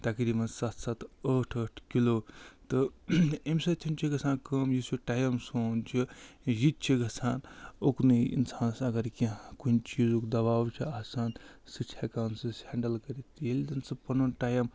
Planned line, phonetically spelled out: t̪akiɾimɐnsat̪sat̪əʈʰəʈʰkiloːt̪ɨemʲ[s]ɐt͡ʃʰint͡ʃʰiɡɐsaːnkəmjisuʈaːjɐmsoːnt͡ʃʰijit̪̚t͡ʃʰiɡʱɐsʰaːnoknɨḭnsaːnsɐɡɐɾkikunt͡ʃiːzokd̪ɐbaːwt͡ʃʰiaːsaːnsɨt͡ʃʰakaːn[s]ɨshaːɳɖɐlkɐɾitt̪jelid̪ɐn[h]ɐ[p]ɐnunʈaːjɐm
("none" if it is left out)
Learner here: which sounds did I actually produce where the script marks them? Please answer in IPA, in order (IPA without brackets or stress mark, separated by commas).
s, s, s, p